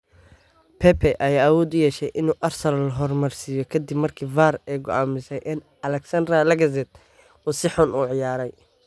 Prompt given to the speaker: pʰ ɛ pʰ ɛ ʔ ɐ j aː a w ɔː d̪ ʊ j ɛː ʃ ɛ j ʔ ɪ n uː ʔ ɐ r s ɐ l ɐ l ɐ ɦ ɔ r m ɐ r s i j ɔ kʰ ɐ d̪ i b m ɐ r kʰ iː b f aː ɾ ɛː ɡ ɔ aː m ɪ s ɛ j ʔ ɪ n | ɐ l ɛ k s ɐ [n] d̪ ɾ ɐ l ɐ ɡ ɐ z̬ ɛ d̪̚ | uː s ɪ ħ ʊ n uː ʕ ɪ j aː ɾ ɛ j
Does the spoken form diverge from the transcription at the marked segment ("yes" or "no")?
no